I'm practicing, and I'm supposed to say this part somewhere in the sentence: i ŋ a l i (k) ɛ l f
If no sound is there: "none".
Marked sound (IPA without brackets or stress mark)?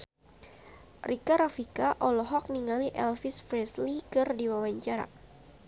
ʔ